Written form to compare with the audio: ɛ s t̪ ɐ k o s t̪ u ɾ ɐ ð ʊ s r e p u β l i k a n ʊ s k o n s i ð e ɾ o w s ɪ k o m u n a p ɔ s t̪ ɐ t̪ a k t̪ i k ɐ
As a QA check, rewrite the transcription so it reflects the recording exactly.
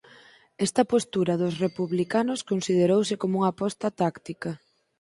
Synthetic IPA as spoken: ɛ s t̪ ɐ p o s t̪ u ɾ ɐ ð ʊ s r e p u β l i k a n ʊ s k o n s i ð e ɾ o w s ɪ k o m u ŋ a p ɔ s t̪ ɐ t̪ a k t̪ i k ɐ